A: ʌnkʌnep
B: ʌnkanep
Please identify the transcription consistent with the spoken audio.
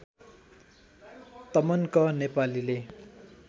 A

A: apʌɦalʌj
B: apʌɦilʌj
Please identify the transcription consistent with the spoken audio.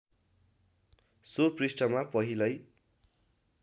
B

